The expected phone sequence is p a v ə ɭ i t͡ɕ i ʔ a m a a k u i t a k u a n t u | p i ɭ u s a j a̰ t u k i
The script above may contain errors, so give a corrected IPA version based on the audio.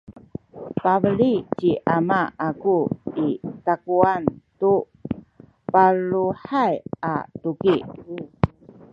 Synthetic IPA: p a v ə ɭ i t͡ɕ i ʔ a m a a k u i t a k u a n t u | p a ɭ u ħ a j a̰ t u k i